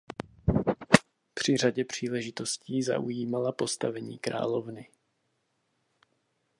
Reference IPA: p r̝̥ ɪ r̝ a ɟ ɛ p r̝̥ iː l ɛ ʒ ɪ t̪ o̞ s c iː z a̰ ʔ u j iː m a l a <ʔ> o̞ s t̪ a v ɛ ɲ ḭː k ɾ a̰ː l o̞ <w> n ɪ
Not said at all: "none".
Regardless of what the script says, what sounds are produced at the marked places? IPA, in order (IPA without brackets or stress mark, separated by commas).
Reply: p, v